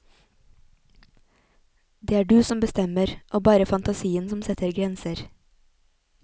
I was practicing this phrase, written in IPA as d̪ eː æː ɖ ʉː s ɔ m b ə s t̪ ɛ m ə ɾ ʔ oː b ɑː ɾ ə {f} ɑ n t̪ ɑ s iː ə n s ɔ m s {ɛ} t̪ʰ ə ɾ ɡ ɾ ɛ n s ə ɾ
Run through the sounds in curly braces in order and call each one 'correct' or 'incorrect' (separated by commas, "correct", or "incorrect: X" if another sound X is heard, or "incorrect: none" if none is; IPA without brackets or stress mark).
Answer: correct, correct